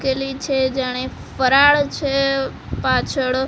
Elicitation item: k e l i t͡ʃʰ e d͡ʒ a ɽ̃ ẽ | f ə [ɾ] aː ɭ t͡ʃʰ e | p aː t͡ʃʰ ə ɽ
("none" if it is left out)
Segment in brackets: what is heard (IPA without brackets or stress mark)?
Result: ɾ